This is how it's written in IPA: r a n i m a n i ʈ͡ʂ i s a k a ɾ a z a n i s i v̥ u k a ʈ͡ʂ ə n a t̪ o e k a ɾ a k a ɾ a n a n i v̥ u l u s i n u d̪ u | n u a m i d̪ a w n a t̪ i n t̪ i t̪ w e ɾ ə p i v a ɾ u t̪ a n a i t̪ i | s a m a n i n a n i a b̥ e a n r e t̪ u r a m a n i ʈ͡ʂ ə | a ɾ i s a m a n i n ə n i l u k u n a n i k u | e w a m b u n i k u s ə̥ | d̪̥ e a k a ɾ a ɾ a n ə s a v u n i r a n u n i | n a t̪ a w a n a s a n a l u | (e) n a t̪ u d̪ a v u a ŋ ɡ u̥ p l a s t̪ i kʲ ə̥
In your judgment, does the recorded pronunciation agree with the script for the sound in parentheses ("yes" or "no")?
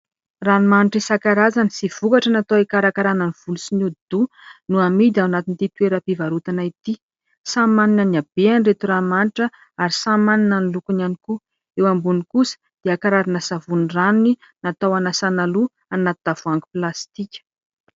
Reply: no